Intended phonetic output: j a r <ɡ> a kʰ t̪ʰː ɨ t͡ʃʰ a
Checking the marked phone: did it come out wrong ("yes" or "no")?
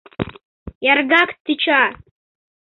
no